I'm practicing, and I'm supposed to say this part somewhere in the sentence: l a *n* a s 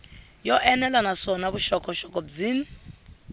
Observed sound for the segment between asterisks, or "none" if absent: n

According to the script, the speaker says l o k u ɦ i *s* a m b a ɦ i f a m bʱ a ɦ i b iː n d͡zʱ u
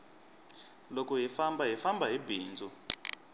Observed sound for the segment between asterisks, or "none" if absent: f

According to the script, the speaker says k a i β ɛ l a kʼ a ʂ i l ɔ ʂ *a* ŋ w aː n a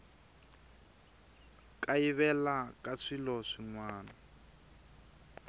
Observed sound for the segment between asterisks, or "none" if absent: i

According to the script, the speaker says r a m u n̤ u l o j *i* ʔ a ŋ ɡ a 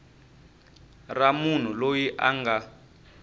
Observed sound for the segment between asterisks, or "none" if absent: i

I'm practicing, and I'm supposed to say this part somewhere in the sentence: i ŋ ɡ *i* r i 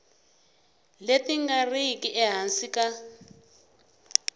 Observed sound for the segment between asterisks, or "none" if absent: a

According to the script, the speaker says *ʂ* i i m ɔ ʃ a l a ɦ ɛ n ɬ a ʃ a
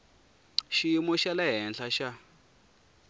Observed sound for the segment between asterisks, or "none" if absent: ʃ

